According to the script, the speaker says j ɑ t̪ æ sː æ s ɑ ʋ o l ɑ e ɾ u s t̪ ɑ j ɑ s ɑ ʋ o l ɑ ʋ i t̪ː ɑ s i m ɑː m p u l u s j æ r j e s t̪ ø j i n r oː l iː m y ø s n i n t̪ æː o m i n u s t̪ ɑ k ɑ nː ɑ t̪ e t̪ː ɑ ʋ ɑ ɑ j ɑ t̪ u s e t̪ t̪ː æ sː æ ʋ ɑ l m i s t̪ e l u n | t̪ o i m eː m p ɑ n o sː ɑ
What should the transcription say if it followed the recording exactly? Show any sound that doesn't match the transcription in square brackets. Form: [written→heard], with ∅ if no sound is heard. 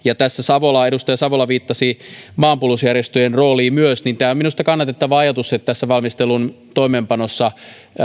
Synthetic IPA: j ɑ t̪ æ sː æ s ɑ ʋ o l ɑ e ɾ u s t̪ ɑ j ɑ s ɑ ʋ o l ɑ ʋ [i→iː] t̪ː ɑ s i m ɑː m p u l u s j æ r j e s t̪ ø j [i→e] n r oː l iː m y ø s n i n t̪ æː o m i n u s t̪ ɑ k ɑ nː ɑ t̪ e t̪ː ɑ ʋ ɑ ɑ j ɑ t̪ u s e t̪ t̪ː æ sː æ ʋ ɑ l m i s t̪ e l u n | t̪ o i m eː m p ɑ n o sː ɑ